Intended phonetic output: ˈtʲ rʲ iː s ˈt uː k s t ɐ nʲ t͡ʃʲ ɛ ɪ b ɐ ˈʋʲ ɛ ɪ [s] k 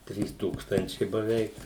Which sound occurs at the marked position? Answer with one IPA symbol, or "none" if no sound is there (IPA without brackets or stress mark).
none